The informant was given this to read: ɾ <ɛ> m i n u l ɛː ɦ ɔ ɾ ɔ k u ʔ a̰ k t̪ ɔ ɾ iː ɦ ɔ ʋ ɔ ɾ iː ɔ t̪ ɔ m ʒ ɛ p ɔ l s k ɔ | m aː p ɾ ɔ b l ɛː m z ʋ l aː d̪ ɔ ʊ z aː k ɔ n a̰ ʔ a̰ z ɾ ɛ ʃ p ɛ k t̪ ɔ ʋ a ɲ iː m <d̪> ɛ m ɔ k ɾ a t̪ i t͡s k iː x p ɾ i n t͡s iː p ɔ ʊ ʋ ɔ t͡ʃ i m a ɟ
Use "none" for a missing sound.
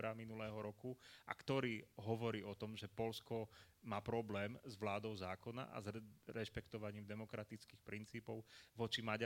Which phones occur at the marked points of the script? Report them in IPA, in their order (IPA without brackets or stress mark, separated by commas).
a, d̪